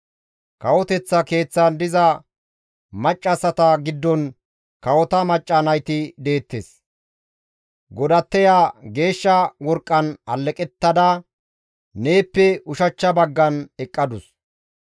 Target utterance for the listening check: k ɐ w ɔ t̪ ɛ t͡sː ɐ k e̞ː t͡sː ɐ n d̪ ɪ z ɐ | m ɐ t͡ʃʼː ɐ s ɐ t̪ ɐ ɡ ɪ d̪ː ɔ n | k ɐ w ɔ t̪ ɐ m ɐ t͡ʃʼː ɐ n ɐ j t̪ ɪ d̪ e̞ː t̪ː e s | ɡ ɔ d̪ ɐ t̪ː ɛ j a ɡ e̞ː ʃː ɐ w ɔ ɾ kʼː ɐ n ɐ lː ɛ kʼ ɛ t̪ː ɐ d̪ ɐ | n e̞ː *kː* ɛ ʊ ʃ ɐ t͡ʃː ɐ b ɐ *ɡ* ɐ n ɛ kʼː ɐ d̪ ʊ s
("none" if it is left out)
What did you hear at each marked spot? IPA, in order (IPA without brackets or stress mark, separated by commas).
pː, ɡː